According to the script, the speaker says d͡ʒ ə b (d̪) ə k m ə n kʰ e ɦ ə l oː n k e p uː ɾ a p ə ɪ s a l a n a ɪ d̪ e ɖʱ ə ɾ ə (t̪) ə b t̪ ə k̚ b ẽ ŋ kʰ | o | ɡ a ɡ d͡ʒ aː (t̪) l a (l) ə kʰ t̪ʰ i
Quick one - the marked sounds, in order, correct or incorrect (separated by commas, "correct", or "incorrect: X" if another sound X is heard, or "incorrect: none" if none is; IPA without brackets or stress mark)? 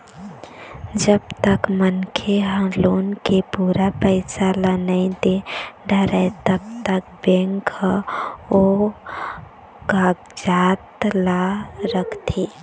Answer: incorrect: t̪, correct, correct, incorrect: ɾ